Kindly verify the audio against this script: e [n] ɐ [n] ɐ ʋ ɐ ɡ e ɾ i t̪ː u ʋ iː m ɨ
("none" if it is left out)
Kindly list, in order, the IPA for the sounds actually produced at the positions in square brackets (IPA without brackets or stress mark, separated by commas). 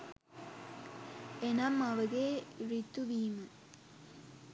n, m